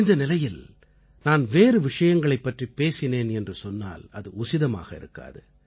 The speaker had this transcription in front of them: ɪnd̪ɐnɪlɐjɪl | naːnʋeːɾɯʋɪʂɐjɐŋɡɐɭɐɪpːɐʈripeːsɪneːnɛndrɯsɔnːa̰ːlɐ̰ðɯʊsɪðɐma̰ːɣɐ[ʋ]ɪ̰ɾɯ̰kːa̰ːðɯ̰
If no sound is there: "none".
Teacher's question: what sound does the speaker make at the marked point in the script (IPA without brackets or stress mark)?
none